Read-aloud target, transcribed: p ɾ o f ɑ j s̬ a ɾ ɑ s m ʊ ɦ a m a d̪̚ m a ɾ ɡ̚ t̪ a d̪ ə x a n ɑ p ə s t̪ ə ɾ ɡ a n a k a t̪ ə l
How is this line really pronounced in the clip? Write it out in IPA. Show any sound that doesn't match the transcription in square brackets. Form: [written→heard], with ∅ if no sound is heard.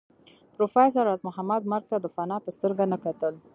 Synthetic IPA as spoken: p ɾ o f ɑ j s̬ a ɾ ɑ [s→z] m ʊ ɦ a m a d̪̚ m a ɾ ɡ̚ t̪ a d̪ ə [x→f] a n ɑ p ə s t̪ ə ɾ ɡ a n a k a t̪ ə l